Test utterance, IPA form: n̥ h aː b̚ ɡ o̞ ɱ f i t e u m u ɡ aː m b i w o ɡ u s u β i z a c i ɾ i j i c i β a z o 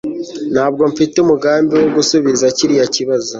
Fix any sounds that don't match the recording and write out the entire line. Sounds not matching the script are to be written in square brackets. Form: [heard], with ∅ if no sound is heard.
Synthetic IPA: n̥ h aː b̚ ɡ o̞ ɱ f i t e u m u ɡ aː m b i w o ɡ u s u β i z a c i ɾ i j [a] c i β a z o